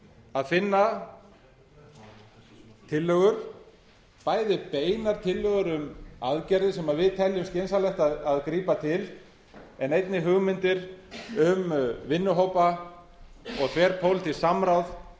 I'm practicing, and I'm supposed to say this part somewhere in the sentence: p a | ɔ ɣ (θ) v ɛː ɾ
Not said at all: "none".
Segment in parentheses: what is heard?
θ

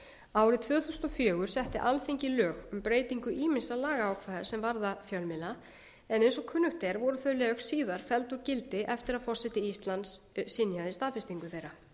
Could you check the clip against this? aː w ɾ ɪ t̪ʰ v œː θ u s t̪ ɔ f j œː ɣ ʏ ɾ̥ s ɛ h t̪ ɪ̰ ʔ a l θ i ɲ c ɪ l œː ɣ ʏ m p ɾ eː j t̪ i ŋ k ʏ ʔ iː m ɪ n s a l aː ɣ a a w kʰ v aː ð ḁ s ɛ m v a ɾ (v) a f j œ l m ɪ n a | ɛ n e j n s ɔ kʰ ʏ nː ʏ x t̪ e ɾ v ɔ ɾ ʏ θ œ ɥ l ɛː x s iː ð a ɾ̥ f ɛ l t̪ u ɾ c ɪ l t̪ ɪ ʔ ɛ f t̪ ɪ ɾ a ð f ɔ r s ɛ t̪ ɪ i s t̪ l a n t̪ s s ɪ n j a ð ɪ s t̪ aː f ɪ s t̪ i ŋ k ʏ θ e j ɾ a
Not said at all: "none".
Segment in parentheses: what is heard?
ð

